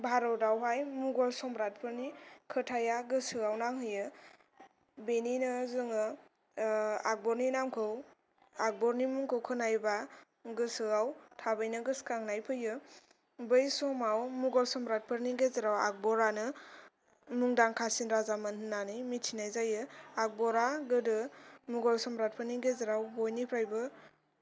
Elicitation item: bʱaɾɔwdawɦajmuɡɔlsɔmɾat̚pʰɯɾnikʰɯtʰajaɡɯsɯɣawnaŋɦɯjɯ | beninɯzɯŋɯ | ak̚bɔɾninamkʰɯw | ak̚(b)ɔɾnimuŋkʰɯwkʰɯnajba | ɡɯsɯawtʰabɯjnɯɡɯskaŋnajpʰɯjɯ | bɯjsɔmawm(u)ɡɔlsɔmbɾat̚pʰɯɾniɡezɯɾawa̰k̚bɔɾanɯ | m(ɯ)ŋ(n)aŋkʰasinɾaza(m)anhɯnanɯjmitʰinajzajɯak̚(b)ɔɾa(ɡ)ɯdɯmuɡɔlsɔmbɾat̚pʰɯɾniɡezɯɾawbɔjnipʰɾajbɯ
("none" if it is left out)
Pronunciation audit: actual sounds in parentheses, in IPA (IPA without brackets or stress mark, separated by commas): b, u, u, d, m, b, ɡ